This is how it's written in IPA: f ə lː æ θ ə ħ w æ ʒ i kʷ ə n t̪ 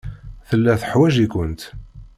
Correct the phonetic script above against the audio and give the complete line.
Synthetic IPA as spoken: θ ə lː æ θ ə ħ w æ ʒ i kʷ ə n t̪